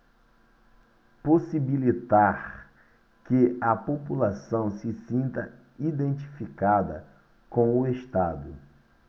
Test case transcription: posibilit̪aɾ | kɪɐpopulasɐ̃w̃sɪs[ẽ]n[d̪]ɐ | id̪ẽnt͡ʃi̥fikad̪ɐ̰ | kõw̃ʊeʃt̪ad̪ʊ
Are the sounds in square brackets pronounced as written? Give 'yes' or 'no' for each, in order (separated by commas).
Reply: no, no